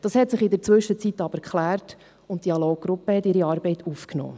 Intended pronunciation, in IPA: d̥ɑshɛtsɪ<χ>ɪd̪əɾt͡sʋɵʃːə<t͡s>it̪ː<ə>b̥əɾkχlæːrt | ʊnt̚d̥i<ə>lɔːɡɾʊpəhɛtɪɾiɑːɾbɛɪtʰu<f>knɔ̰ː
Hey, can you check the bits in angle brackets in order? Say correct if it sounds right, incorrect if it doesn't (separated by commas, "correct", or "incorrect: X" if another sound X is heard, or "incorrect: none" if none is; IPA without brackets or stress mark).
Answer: correct, correct, incorrect: ɑ, incorrect: ɑ, correct